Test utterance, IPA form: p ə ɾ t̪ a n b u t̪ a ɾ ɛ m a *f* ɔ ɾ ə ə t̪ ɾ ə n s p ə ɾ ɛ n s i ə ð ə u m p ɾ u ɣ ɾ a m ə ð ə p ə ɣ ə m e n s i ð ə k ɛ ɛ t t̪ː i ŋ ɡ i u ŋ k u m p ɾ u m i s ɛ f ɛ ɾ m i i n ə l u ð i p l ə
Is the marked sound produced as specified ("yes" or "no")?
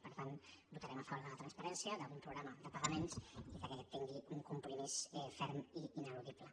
yes